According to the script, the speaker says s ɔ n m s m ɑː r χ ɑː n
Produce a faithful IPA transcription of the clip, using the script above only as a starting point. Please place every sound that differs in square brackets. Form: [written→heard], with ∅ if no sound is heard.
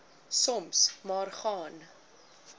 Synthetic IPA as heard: s ɔ [n→∅] m s m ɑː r χ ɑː n